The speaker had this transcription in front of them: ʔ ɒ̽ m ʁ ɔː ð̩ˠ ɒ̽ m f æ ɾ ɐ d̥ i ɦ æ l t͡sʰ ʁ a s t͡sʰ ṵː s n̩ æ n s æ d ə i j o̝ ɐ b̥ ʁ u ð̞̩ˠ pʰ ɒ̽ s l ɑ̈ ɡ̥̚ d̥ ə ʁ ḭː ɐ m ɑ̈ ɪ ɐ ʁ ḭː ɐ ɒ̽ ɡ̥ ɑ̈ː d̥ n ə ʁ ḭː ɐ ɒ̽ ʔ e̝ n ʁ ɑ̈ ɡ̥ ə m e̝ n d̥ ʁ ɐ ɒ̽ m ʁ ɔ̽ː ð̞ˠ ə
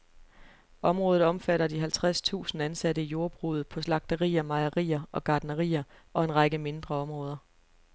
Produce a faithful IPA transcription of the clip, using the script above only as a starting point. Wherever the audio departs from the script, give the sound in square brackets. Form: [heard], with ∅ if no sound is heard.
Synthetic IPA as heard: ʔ ɒ̽ m ʁ ɔː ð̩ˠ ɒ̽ m f æ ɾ ɐ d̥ i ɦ æ l t͡sʰ ʁ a s t͡sʰ ṵː s n̩ æ n s æ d ə i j o̝ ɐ b̥ ʁ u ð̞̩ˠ pʰ ɒ̽ s l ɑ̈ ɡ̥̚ d̥ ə ʁ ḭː ɐ m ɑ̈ ɪ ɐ ʁ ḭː ɐ ɒ̽ ɡ̥ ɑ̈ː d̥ n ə ʁ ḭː ɐ ɒ̽ [∅] e̝ n ʁ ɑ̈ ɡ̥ ə m e̝ n d̥ ʁ ɐ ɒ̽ m ʁ ɔ̽ː ð̞ˠ [ɐ]